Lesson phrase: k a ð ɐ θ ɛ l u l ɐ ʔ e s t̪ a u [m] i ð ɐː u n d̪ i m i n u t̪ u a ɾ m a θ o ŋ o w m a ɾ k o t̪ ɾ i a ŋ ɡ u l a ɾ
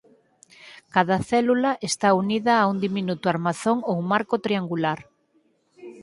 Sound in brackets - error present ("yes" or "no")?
yes